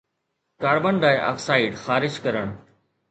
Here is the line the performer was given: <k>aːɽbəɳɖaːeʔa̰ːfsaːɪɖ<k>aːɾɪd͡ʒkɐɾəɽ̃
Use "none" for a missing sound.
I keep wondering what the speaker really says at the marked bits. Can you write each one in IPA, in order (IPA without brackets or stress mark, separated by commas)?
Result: k, x